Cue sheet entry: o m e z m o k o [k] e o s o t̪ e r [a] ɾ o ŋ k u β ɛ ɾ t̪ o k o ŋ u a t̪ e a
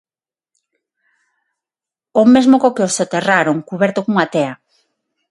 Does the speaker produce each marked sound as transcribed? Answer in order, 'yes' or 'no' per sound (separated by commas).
yes, yes